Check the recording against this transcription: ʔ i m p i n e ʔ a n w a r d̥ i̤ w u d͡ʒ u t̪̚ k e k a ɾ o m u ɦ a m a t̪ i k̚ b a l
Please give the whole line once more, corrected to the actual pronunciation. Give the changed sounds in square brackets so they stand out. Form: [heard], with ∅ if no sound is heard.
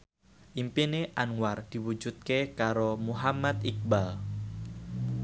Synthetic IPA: ʔ i m p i n e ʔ a n w a r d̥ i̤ w u d͡ʒ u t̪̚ k e k a ɾ o m u ɦ a m a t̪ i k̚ b a l